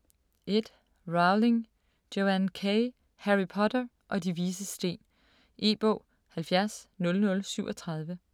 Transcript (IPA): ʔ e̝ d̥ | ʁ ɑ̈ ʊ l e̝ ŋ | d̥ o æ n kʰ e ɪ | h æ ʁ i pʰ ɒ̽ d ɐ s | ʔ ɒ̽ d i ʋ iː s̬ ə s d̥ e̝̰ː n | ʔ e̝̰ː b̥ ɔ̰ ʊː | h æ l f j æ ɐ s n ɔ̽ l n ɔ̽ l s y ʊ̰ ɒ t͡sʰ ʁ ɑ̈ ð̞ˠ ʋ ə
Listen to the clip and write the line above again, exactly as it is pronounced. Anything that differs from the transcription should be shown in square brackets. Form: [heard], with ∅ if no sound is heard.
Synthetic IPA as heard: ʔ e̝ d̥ | ʁ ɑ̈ ʊ l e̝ ŋ | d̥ o æ n kʰ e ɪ | h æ ʁ i pʰ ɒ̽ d ɐ [∅] | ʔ ɒ̽ d i ʋ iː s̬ ə s d̥ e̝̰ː n | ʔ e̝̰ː b̥ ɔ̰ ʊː | h æ l f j æ ɐ s n ɔ̽ l n ɔ̽ l s y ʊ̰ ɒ t͡sʰ ʁ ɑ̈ ð̞ˠ ʋ ə